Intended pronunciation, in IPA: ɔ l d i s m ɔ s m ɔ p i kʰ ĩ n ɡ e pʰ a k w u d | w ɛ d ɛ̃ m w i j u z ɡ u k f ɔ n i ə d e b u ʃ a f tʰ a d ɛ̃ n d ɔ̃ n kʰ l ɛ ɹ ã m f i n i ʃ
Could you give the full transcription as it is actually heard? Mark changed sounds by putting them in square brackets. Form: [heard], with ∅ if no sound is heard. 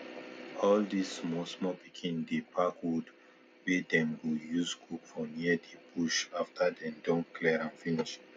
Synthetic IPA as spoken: ɔ l d i s m ɔ s m ɔ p i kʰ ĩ n [d] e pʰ a k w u d | w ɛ d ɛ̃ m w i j u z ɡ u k f ɔ n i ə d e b u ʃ a f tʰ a d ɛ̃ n d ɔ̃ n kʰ l ɛ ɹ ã [n] f i n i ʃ